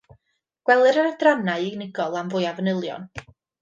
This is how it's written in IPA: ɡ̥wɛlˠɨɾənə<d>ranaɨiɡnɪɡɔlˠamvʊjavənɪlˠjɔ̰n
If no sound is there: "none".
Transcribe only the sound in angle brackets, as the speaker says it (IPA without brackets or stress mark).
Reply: d